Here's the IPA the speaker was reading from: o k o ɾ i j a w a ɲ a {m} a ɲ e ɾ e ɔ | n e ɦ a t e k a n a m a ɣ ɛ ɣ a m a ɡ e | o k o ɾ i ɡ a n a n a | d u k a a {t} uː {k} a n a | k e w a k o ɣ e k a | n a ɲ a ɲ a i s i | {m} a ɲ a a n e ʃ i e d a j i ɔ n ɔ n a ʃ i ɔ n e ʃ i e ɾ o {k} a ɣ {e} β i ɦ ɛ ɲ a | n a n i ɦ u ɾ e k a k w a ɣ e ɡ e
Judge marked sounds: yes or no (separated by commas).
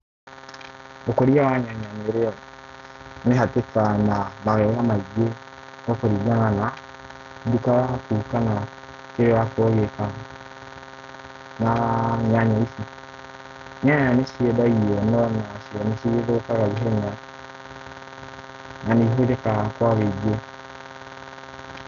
no, no, yes, no, yes, no